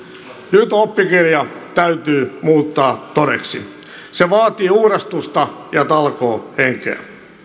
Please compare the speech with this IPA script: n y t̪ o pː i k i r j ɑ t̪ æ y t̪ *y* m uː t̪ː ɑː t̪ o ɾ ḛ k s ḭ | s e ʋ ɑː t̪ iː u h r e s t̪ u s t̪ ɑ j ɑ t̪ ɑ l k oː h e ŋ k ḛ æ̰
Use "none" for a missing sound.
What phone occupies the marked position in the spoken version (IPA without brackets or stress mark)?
yː